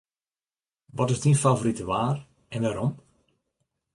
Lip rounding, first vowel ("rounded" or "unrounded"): rounded